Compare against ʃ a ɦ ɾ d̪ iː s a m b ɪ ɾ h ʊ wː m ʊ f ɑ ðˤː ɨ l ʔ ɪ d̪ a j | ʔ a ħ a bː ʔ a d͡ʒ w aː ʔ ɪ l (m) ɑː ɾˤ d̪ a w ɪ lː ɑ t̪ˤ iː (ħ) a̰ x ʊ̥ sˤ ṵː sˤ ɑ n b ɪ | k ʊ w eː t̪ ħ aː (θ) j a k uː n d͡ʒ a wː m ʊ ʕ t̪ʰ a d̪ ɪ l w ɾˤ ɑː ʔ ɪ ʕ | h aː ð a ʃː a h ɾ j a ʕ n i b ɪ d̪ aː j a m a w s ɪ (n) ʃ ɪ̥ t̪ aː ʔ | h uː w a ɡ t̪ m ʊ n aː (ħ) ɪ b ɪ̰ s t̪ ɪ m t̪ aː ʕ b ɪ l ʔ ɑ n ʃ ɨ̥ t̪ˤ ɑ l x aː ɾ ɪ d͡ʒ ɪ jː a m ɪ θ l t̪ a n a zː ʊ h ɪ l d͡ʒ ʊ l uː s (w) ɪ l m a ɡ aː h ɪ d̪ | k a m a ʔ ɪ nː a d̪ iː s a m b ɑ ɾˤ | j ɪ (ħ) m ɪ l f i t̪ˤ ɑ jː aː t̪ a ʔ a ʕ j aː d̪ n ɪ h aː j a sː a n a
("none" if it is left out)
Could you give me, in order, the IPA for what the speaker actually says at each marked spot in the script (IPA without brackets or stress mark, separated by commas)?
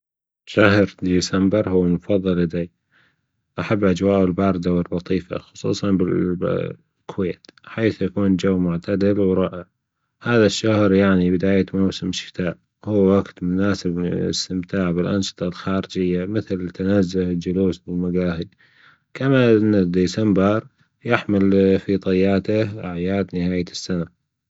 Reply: b, f, θ, m, s, b, ħ